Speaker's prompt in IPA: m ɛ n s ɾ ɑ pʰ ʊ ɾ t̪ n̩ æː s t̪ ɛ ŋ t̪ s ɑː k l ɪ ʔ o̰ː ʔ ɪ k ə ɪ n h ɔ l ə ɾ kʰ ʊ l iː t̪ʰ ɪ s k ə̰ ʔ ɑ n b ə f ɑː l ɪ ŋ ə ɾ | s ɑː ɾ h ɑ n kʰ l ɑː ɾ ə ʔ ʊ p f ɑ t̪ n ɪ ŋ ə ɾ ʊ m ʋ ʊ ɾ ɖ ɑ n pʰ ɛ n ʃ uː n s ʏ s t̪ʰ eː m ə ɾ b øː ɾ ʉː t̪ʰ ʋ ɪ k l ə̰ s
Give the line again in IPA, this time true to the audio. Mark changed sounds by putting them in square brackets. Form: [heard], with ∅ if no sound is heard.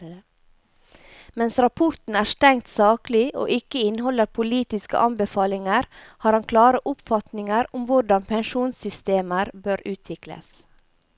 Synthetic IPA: m ɛ n s ɾ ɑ pʰ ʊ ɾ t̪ n̩ æː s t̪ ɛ ŋ t̪ s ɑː k l ɪ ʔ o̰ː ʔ ɪ k ə ɪ n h ɔ l ə ɾ [pʰ] ʊ l iː [t̪] ɪ s k ə̰ ʔ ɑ n b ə f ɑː l ɪ ŋ ə ɾ | [h] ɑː ɾ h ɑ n kʰ l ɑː ɾ ə ʔ ʊ p f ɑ t̪ n ɪ ŋ ə ɾ ʊ m ʋ ʊ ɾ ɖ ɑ n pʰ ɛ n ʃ uː n s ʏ s [t̪] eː m ə ɾ b øː ɾ ʉː t̪ʰ ʋ ɪ k l ə̰ s